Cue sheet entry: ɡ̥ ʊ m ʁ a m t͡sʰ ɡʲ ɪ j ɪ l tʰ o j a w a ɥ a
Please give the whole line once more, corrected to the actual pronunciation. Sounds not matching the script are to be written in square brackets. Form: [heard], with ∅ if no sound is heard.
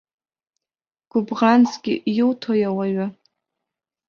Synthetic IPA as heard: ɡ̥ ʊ [b] ʁ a [n] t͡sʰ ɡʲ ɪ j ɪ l tʰ o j a w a ɥ a